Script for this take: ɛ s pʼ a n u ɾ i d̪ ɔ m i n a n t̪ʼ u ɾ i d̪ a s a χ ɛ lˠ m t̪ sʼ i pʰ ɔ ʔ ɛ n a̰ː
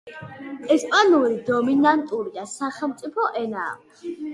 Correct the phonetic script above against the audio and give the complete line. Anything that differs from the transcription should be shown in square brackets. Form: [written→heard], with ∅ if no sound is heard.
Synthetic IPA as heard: ɛ s pʼ a n u ɾ i d̪ ɔ m i n a n t̪ʼ u ɾ i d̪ a s a χ ɛ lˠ m t̪ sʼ i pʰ ɔ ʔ ɛ n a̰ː

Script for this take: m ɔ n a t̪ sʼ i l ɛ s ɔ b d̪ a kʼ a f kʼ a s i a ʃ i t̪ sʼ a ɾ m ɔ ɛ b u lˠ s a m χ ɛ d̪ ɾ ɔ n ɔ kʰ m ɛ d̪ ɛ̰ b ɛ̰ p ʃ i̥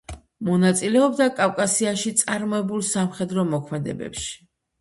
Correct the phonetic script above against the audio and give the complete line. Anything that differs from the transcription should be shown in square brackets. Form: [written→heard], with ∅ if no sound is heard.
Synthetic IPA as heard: m ɔ n a t̪ sʼ i l ɛ [s→∅] ɔ b d̪ a kʼ a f kʼ a s i a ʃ i t̪ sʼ a ɾ m ɔ ɛ b u lˠ s a m χ ɛ d̪ ɾ ɔ [n→m] ɔ kʰ m ɛ d̪ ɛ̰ b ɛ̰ p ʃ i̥

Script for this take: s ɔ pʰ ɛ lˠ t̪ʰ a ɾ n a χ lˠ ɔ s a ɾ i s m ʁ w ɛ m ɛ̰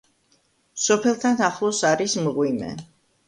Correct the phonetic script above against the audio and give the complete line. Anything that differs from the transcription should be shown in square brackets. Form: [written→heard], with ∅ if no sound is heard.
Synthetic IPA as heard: s ɔ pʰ ɛ lˠ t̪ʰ a [ɾ→∅] n a χ lˠ ɔ s a ɾ i s m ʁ w [ɛ→i] m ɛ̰

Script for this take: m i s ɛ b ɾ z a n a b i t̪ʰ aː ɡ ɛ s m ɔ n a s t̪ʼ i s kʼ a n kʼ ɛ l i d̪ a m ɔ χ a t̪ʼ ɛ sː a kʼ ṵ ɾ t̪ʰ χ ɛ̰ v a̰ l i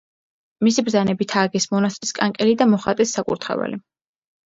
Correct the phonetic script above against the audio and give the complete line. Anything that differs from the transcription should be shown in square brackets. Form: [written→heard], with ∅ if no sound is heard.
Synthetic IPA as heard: m i s [ɛ→i] b ɾ z a n [a→ɛ] b i t̪ʰ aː ɡ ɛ s m ɔ n a s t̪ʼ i s kʼ a [n→ŋ] kʼ ɛ l i d̪ a m ɔ χ a t̪ʼ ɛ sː a kʼ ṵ ɾ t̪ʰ χ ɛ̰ v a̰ l i

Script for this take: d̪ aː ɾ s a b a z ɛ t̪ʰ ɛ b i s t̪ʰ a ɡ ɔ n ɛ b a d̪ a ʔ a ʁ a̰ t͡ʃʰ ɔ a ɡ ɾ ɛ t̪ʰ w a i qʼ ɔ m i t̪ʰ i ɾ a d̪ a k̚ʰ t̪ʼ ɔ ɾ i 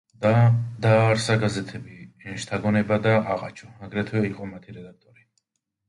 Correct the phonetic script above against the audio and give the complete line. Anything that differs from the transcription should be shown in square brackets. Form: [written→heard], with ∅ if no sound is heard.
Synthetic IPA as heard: d̪ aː ɾ s a [b→ɡ] a z ɛ t̪ʰ ɛ b i [s→ʃ] t̪ʰ a ɡ ɔ n ɛ b a d̪ a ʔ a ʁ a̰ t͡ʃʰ ɔ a ɡ ɾ ɛ t̪ʰ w [a→ɛ] i qʼ ɔ m [i→a] t̪ʰ i ɾ [a→ɛ] d̪ a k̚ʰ t̪ʼ ɔ ɾ i

